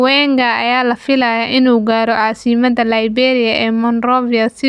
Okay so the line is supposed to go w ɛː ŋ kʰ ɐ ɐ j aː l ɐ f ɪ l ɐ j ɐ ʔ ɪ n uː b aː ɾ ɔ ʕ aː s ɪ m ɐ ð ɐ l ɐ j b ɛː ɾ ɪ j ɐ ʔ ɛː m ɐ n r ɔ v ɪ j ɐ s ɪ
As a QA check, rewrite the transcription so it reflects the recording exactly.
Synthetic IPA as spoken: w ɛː ŋ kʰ ɐ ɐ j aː l ɐ f ɪ l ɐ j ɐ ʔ ɪ n uː ɡ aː ɾ ɔ ʕ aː s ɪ m ɐ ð ɐ l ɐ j b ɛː ɾ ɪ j ɐ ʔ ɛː m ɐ n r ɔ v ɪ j ɐ s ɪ